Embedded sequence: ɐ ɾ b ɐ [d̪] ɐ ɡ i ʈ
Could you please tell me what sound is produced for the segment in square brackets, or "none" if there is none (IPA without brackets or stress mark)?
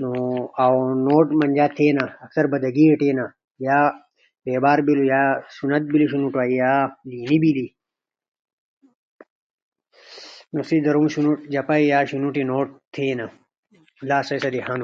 d̪